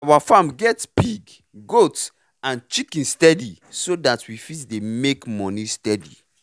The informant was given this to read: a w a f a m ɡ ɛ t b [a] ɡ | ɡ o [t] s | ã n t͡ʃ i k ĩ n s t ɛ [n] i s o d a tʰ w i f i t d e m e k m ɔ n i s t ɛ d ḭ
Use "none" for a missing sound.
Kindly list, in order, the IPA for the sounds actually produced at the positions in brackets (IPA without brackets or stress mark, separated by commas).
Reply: i, t, d